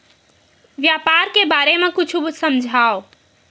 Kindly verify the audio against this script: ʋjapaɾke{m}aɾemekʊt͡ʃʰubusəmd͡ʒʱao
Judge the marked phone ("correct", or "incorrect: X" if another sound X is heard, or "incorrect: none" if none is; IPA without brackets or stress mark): incorrect: b